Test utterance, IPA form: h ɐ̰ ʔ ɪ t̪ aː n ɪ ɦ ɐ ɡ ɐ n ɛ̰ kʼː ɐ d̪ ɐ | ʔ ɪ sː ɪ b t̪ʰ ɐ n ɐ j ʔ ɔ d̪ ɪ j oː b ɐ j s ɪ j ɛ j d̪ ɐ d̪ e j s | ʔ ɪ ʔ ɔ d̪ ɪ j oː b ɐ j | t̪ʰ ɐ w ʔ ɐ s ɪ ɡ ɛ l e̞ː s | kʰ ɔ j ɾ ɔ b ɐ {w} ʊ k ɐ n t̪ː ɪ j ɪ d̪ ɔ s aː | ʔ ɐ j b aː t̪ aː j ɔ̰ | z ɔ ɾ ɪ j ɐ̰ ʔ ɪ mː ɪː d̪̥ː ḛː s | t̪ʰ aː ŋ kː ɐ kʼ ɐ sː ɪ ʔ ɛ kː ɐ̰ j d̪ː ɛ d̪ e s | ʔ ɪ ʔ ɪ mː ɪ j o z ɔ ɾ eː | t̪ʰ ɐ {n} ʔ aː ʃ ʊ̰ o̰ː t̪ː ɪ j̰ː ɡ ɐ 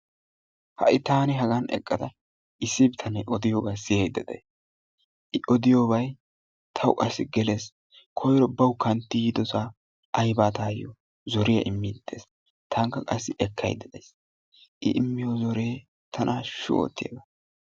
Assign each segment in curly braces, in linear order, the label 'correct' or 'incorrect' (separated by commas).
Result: correct, correct